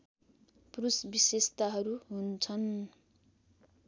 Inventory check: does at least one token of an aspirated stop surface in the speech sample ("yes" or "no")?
yes